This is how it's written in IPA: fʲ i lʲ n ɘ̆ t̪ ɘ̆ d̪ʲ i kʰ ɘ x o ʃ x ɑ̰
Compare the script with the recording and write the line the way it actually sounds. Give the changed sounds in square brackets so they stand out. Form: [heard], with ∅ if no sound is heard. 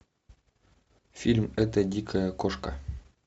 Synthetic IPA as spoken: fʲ i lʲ [m] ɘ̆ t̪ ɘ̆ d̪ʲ i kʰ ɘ [k] o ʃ [k] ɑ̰